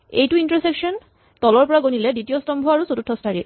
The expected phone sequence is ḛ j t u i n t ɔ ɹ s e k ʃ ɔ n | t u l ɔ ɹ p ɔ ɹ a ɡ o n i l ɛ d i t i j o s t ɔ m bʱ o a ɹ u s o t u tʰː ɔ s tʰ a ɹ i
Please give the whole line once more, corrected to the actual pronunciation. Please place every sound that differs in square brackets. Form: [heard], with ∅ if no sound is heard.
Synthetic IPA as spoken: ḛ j t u i n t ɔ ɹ s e k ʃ ɔ n | t [ɔ] l ɔ ɹ p ɔ ɹ a ɡ o n i l ɛ d i t i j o s t ɔ m bʱ [ɔ] a ɹ u s o t u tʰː ɔ s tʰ a ɹ i